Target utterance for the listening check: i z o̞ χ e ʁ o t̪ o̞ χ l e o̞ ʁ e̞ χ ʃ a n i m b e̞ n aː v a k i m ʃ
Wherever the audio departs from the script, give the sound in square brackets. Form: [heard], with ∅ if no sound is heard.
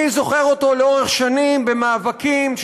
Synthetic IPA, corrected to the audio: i z o̞ χ e ʁ o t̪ o̞ [∅] l e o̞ ʁ e̞ χ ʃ a n i m b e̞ [m] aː v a k i m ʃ